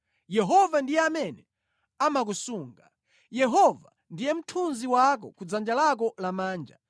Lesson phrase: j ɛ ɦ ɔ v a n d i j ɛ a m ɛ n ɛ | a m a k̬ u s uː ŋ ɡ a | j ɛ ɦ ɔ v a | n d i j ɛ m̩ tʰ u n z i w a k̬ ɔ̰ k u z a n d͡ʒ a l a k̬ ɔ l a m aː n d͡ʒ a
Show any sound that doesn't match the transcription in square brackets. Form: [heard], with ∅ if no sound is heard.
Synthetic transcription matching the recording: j ɛ ɦ ɔ v a n d i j ɛ a m ɛ n ɛ | a m a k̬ u s uː ŋ ɡ a | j ɛ ɦ ɔ v a | n d i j ɛ m̩ tʰ u n z i w a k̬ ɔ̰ k u [d͡z] a n d͡ʒ a l a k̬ ɔ l a m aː n d͡ʒ a